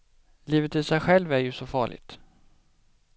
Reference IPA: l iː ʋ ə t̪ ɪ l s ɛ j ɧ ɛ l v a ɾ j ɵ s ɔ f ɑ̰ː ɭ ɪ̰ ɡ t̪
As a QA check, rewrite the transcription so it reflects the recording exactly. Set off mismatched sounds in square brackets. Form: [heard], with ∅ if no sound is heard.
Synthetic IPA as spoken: l iː [v] ə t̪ ɪ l s ɛ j ɧ ɛ l v [æ] ɾ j ɵ s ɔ f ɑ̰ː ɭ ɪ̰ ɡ t̪